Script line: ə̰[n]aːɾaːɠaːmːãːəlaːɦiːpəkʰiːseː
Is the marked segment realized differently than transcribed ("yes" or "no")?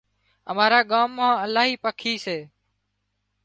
yes